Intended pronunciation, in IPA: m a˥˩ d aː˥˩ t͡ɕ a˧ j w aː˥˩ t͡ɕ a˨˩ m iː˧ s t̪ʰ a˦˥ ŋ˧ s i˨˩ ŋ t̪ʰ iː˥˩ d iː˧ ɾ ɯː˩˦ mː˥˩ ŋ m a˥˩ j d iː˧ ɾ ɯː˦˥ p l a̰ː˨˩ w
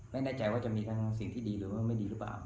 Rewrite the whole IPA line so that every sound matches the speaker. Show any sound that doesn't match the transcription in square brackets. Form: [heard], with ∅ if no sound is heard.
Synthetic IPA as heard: m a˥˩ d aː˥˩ t͡ɕ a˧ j w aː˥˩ t͡ɕ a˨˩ m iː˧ [∅] t̪ʰ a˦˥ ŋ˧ s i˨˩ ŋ t̪ʰ iː˥˩ d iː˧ ɾ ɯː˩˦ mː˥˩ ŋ m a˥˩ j d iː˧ ɾ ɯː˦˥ p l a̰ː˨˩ w